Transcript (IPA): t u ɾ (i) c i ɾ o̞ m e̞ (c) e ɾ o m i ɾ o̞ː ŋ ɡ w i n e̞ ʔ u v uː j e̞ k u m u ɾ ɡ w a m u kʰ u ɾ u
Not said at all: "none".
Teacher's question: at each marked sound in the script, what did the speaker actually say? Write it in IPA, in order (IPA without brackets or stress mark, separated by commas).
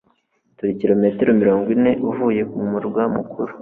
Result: i, t